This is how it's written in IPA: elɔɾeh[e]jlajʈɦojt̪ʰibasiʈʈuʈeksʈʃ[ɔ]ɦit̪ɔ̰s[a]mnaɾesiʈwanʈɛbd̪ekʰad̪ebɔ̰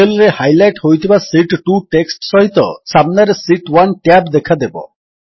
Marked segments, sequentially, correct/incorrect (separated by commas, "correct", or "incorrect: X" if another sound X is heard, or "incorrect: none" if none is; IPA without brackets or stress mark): incorrect: a, correct, correct